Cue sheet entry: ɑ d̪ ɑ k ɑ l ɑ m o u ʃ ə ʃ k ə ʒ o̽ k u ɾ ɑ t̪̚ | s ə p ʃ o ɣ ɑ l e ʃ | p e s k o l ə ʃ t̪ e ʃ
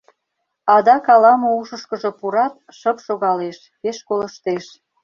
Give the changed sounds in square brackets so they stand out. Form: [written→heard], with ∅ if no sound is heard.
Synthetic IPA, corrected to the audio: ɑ d̪ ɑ k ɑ l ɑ m o u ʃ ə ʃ k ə ʒ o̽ [k→p] u ɾ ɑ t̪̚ | [s→ʃ] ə p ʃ o ɣ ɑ l e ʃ | p e [s→ʃ] k o l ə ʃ t̪ e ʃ